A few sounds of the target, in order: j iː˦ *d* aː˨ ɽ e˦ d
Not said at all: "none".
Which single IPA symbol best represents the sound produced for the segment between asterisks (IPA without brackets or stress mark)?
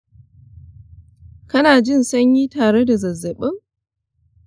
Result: t